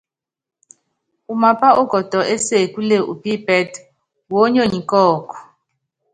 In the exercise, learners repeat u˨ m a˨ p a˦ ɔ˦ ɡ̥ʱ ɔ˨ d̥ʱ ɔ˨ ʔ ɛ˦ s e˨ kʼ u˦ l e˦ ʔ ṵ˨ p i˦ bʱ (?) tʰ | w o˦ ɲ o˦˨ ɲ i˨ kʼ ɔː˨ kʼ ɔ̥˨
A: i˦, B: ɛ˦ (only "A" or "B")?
B